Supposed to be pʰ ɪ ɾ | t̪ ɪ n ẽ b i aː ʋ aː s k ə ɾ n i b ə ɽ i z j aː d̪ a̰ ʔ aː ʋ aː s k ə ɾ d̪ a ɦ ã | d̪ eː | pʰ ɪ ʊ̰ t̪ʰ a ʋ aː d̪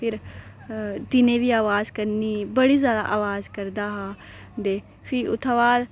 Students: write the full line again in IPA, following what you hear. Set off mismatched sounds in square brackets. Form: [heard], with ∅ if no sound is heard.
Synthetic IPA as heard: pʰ ɪ ɾ | t̪ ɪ n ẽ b i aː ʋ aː [z] k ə ɾ n i b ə ɽ i z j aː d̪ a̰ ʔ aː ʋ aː [z] k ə ɾ d̪ a ɦ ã | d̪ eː | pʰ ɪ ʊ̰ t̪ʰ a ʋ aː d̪